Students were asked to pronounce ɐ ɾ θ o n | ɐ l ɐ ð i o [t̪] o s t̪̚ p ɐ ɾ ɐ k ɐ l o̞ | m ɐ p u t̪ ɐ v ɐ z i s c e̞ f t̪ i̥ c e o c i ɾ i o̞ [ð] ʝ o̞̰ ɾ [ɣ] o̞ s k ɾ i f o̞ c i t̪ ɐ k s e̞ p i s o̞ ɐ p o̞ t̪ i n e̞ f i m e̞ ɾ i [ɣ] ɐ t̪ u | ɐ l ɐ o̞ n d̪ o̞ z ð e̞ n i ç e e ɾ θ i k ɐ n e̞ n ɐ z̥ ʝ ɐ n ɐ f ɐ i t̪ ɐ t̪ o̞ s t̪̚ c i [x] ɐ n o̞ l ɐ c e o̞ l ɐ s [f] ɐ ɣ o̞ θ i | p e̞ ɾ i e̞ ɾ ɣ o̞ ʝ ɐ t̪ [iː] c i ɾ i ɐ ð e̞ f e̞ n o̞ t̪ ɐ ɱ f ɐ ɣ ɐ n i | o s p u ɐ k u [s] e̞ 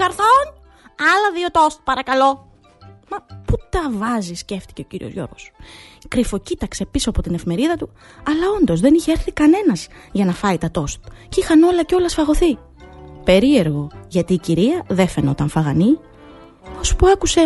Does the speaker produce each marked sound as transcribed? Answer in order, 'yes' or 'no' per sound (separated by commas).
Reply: yes, no, yes, no, yes, yes, yes, yes